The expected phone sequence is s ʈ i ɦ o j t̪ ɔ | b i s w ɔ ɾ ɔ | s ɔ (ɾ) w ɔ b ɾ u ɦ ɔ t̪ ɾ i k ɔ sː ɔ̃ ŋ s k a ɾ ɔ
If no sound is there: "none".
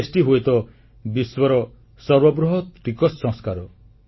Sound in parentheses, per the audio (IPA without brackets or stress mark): ɾ